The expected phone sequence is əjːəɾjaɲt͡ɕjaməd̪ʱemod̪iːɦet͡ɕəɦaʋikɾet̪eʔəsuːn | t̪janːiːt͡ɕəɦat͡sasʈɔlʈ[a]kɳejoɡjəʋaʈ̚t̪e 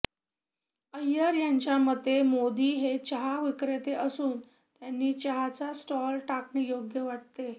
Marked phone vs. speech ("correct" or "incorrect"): correct